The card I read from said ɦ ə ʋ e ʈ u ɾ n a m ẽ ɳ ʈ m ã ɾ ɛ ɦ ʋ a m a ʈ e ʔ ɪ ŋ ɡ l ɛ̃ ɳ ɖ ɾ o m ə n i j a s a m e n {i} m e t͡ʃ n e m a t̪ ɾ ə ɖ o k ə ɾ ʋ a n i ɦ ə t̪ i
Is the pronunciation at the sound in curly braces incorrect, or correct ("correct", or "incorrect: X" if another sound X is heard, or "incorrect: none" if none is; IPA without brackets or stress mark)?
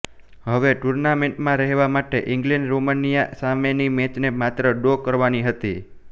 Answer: correct